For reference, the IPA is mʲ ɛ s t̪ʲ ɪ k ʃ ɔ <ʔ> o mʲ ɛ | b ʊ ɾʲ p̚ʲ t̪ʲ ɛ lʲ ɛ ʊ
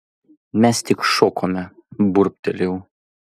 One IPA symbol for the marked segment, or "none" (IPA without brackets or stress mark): k